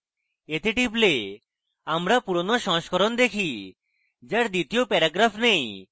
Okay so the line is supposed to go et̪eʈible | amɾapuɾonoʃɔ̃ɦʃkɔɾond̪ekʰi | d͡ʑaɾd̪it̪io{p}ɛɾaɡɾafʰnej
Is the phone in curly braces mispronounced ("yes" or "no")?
no